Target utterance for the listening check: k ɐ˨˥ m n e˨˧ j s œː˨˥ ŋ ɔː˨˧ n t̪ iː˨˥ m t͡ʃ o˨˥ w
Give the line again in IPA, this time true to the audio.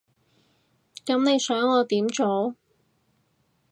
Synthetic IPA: k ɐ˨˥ m n e˨˧ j s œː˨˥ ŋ ɔː˨˧ t̪ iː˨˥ m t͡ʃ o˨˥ w